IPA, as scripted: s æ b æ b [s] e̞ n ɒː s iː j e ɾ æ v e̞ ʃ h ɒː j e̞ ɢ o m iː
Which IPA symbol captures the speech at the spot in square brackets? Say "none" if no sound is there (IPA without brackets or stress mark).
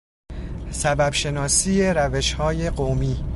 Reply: ʃ